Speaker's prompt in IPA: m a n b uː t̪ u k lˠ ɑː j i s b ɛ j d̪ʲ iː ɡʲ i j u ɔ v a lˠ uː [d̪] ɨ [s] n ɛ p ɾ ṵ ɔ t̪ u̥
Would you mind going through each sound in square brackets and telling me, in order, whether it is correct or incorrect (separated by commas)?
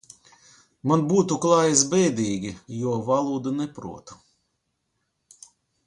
correct, incorrect